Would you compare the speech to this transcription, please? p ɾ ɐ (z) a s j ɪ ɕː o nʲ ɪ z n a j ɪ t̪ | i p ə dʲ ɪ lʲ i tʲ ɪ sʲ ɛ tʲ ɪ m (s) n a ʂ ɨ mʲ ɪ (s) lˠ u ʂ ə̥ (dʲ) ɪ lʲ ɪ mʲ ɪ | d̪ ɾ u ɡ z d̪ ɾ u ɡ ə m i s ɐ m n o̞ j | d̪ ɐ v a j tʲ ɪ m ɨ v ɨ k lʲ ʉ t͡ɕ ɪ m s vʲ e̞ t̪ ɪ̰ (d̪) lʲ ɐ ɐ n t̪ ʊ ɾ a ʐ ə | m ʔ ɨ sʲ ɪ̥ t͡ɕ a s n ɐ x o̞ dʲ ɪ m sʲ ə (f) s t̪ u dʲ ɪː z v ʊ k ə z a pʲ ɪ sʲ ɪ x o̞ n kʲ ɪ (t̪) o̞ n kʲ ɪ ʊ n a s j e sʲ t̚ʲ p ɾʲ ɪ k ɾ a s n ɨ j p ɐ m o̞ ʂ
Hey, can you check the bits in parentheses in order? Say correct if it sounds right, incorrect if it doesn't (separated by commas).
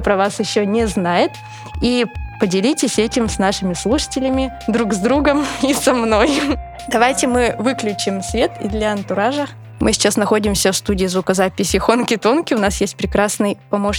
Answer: incorrect, correct, correct, incorrect, correct, correct, correct